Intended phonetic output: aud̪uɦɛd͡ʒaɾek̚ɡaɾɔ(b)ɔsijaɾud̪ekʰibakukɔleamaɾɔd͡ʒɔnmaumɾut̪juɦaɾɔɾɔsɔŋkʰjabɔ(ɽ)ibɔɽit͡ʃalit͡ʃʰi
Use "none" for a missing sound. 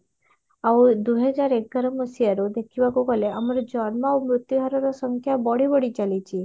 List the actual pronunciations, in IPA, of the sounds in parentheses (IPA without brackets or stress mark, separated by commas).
m, ɽ